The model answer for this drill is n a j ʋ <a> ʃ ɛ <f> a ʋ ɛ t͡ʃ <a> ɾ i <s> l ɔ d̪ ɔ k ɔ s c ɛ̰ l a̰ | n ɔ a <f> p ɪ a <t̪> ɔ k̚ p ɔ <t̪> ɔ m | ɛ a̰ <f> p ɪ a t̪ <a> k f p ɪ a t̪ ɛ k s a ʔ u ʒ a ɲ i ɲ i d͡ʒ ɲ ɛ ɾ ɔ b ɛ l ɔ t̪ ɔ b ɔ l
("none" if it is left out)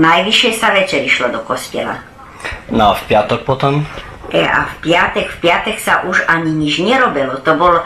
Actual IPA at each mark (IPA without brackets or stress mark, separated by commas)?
i, s, ɛ, ʃ, f, t̪, t̪, f, ɛ